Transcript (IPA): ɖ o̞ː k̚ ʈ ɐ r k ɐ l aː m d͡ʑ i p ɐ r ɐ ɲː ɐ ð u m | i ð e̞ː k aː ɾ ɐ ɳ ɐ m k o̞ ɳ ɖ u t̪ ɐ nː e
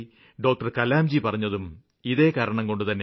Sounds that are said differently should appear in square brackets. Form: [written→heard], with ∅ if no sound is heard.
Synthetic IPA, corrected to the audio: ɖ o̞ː k̚ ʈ ɐ r k ɐ l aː m d͡ʑ i p ɐ r ɐ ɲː ɐ ð u m | i ð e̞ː k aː ɾ ɐ ɳ ɐ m k o̞ ɳ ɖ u t̪ ɐ nː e